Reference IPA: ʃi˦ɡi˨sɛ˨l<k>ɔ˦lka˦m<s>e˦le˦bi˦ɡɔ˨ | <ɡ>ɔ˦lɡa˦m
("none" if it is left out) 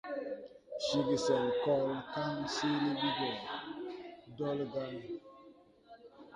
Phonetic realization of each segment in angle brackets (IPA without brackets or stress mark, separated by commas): k, s, d